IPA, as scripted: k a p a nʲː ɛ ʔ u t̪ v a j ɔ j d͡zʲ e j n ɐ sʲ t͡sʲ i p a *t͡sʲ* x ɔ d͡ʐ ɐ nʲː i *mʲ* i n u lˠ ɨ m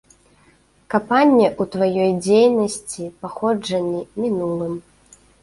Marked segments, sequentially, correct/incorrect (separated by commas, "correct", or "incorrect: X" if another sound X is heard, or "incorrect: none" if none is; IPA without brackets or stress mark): incorrect: none, correct